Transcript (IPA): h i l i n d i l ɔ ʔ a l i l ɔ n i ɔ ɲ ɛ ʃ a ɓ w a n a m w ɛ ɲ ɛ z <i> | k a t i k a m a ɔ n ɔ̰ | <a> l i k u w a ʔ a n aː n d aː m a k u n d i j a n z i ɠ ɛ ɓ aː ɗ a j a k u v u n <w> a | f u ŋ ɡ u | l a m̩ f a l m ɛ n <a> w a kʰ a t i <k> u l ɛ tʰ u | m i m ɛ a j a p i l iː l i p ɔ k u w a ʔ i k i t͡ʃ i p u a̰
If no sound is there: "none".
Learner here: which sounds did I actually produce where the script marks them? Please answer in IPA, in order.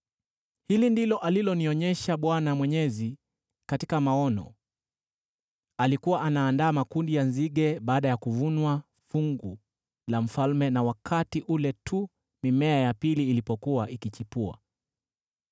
i, a, w, a, ʔ

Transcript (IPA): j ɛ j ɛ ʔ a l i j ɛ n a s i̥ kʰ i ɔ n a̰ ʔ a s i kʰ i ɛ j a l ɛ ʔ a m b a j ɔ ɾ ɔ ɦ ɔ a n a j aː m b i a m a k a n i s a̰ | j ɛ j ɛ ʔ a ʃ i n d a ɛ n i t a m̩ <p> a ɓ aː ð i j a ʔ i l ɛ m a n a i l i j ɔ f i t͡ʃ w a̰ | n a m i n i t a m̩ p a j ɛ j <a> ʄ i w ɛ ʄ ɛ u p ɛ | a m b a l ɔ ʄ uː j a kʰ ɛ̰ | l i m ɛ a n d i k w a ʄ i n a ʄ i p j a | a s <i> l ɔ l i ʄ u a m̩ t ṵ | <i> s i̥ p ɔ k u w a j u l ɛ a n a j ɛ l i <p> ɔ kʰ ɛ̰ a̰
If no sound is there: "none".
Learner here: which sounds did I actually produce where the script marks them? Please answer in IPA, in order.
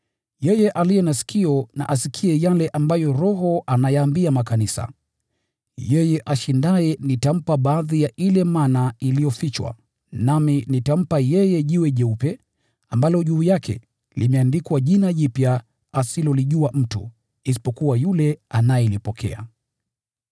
p, ɛ, i, i, p

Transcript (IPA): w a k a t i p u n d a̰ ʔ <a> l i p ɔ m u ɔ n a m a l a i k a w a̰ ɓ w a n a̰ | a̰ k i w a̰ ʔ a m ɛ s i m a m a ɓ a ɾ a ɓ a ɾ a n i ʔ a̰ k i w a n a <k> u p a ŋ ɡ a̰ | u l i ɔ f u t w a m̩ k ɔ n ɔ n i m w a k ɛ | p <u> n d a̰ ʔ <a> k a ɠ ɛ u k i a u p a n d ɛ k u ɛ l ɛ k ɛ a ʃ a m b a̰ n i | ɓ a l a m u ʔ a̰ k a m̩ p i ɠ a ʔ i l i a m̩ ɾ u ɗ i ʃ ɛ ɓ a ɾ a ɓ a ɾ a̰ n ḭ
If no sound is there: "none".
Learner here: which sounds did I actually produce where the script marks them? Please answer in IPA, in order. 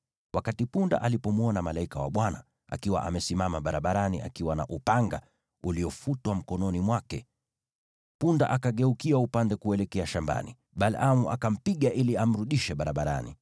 a, ʔ, u, a

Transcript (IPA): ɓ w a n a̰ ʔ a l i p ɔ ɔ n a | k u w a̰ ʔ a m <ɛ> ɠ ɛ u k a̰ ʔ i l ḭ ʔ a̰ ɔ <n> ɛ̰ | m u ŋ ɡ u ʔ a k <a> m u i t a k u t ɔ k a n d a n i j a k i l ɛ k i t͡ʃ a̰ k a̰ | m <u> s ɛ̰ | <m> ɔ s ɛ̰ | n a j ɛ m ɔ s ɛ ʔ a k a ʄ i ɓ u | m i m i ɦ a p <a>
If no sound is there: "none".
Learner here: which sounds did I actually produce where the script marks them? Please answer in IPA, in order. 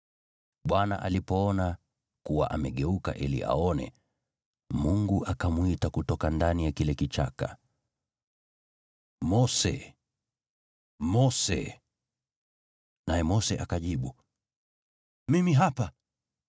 ɛ, n, a, ɔ, m, a

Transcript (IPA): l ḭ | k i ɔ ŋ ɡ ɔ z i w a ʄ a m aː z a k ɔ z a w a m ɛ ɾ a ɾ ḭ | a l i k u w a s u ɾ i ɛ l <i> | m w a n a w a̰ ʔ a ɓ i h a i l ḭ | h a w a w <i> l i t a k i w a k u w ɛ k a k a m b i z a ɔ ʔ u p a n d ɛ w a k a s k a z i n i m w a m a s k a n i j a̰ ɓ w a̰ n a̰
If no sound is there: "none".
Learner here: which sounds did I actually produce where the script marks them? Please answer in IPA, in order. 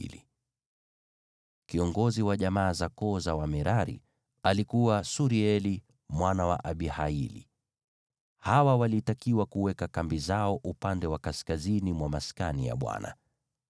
i, a

